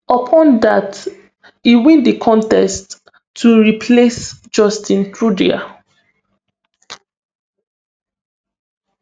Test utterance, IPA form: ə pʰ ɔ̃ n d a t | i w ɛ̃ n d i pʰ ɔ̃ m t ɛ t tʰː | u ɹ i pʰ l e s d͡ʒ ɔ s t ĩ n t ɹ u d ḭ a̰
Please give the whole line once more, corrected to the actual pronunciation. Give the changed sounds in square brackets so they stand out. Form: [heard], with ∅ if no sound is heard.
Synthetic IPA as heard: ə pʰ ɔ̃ n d a t | i w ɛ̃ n d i [kʰ] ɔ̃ [n] t ɛ [s] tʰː | u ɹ i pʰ l e s d͡ʒ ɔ s t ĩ n t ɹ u d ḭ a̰